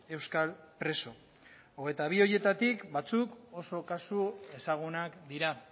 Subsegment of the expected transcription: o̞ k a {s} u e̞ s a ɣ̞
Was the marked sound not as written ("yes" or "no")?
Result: no